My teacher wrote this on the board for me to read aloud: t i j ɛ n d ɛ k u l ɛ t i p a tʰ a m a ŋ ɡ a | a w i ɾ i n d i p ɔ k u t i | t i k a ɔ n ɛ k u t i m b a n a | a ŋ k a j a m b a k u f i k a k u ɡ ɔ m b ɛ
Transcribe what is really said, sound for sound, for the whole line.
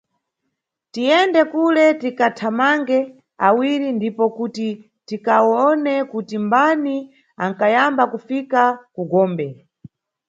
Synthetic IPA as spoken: t i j ɛ n d ɛ k u l ɛ t i k a tʰ a m a ŋ ɡ ɛ | a w i ɾ i n d i p ɔ k u t i | t i k a ɔ n ɛ k u t i m b a n i | a ŋ k a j a m b a k u f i k a k u ɡ ɔː m b ɛ